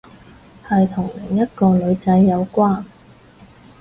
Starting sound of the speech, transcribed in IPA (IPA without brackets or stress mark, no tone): h